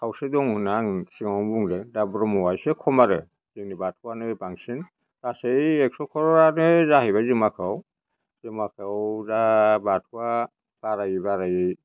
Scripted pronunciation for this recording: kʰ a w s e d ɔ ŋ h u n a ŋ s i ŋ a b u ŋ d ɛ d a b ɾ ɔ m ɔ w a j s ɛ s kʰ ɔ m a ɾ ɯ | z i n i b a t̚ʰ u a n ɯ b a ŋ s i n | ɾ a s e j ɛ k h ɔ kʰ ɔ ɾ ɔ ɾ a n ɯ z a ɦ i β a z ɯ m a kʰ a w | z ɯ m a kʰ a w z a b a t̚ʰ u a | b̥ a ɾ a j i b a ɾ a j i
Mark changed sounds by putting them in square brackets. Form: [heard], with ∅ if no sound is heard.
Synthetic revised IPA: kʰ a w s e d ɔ ŋ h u n a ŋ s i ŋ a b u ŋ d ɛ d a b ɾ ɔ m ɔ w a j s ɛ [∅] kʰ ɔ m a ɾ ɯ | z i n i b a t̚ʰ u a n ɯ b a ŋ s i n | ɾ a s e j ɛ k [s] ɔ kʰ ɔ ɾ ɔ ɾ a n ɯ z a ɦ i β a z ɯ m a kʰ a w | z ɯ m a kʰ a w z a b a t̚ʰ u a | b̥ a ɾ a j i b a ɾ a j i